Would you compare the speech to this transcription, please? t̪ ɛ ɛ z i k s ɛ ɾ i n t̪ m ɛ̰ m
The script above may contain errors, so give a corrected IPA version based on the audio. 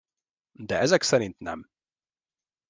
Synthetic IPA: d̪ ɛ ɛ z ɛ k s ɛ ɾ i n t̪ n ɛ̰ m

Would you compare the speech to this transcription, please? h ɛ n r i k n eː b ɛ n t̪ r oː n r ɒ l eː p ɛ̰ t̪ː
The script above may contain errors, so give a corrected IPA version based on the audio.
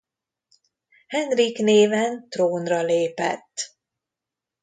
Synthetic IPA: h ɛ n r i k n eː v ɛ n t̪ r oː n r ɒ l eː p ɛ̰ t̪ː

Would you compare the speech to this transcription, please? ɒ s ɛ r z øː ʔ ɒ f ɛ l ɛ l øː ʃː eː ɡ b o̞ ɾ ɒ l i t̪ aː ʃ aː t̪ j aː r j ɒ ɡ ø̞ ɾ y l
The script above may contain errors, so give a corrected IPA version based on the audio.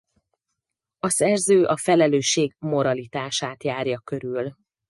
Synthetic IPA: ɒ s ɛ r z øː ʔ ɒ f ɛ l ɛ l øː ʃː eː ɡ m o̞ ɾ ɒ l i t̪ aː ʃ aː t̪ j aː r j ɒ k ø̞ ɾ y l

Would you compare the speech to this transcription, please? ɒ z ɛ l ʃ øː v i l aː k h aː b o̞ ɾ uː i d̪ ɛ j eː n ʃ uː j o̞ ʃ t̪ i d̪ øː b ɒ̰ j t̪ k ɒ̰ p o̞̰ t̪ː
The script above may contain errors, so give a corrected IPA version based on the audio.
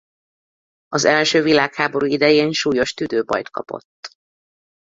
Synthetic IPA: ɒ z ɛ l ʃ øː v i l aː k h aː b o̞ ɾ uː i d̪ ɛ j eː n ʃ uː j o̞ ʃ t̪ y d̪ øː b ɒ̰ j t̪ k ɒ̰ p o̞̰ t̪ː

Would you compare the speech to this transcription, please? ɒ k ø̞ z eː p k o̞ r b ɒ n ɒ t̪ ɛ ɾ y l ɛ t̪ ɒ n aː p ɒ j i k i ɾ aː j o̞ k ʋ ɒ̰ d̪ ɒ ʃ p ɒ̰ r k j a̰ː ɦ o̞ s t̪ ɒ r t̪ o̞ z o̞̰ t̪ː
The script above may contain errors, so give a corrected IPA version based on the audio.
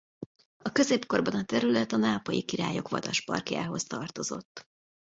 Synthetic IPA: ɒ k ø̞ z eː p k o̞ r b ɒ n ɒ t̪ ɛ ɾ y l ɛ t̪ ɒ n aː p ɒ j i k i ɾ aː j o̞ k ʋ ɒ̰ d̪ ɒ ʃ p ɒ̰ r k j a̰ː ɦ o̞ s t̪ ɒ r t̪ o̞ z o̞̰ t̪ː

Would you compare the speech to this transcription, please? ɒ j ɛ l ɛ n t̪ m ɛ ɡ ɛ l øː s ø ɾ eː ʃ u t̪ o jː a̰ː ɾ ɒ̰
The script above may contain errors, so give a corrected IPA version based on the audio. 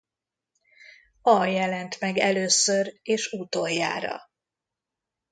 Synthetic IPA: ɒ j ɛ l ɛ n t̪ m ɛ ɡ ɛ l øː s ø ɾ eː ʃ u t̪ o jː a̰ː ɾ ɒ̰

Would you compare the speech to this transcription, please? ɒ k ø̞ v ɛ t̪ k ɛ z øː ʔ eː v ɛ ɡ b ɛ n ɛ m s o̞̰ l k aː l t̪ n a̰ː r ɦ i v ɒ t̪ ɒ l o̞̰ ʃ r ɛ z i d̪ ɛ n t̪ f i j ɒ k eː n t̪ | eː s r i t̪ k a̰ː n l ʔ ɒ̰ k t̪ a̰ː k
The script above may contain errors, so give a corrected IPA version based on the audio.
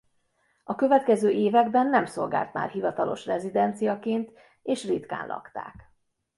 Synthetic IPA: ɒ k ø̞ v ɛ t̪ k ɛ z øː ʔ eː v ɛ ɡ b ɛ nː ɛ m s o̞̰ l ɡ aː l t̪ m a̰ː r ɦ i v ɒ t̪ ɒ l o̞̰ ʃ r ɛ z i d̪ ɛ n t̪ s i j ɒ k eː n t̪ | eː ʃ r i t̪ k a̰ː n l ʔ ɒ̰ k t̪ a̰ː k

